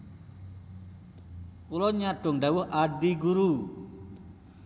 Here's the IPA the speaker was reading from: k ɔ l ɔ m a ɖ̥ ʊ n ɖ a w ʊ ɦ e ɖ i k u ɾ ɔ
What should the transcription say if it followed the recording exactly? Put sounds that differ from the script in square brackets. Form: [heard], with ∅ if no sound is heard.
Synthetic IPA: k [u] l ɔ [ɲ] a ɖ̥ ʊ [ŋ] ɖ a w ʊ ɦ [a] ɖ i [ɡ] u ɾ [u]